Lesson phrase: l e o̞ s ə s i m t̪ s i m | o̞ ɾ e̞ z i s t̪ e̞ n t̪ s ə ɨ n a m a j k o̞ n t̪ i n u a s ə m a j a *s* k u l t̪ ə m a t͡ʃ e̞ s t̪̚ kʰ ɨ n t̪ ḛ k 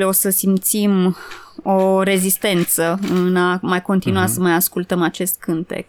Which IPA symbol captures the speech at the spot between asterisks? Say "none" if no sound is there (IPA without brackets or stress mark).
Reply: s